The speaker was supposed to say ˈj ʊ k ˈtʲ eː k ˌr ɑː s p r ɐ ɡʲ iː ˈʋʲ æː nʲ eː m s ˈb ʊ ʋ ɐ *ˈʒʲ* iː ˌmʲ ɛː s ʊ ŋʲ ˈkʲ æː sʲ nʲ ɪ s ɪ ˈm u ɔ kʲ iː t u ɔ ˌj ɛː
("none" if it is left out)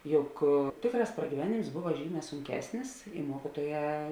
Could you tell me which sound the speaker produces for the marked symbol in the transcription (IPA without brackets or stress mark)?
ʒʲ